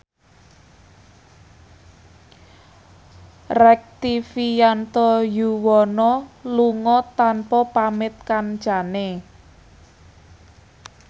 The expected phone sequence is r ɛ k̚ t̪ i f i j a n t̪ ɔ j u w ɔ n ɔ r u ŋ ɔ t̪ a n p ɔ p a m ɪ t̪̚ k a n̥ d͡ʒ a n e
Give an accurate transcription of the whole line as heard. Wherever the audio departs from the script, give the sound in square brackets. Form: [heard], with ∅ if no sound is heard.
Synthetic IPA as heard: r ɛ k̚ t̪ i f i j a n t̪ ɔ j u w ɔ n ɔ [l] u ŋ ɔ t̪ a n p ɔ p a m ɪ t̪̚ k a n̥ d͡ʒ a n e

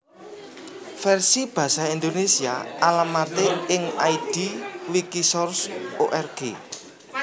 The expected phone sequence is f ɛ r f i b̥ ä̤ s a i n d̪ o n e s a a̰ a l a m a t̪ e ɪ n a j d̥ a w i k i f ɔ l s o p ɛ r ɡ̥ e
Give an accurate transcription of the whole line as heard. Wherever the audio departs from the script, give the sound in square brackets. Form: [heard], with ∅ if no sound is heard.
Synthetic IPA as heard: f ɛ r [s] i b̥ ä̤ s a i n d̪ o n e s [i] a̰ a l a m a t̪ e ɪ [ŋ] a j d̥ [i] w i k i [s] ɔ [r] s o [ʔ] ɛ r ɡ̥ e

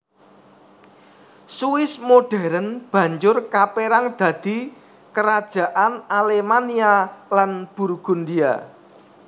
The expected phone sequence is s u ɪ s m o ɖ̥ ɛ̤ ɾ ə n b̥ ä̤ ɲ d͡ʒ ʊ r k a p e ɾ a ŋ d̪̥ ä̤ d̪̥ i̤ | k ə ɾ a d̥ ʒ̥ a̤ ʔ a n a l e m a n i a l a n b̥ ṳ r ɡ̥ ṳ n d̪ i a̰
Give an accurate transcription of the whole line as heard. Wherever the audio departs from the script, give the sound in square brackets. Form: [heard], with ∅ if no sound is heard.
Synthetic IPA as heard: s u ɪ s m o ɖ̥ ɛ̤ ɾ ə n b̥ ä̤ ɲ d͡ʒ ʊ r k a p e ɾ a ŋ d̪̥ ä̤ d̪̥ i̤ | k ə ɾ a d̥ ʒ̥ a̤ ʔ a n a l e m a n i a l a n b̥ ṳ r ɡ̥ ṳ n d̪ i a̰

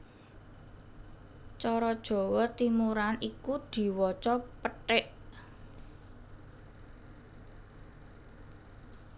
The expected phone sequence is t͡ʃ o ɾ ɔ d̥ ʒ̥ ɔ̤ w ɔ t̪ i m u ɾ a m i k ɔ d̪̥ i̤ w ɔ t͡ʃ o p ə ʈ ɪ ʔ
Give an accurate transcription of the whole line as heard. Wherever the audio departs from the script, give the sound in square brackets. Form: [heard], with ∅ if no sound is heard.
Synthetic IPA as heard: t͡ʃ [ɔ] ɾ ɔ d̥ ʒ̥ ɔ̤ w ɔ t̪ i m u ɾ a [n] i k [u] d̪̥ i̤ w ɔ t͡ʃ [ɔ] p ə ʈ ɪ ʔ

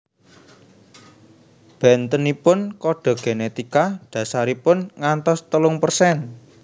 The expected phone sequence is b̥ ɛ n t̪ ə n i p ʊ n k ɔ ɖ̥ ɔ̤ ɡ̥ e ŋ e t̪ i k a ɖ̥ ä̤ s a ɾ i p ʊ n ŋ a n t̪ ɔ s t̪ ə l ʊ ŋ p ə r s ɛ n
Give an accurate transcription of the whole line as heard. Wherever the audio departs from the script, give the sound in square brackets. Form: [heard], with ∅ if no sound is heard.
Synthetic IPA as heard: b̥ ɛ n t̪ ə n i p ʊ n k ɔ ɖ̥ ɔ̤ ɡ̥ e [n] e t̪ i k a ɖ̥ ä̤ s a ɾ i p ʊ n ŋ a n t̪ ɔ s t̪ ə l ʊ ŋ p ə r s ɛ n

